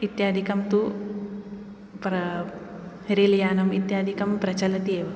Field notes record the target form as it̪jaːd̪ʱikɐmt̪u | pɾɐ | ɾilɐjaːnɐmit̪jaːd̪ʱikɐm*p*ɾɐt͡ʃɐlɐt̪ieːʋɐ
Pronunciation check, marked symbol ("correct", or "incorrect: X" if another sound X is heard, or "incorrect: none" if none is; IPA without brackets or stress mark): correct